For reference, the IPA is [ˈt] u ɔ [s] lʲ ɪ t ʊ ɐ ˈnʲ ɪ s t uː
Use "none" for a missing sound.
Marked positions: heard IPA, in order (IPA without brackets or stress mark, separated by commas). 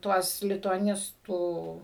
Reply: t, s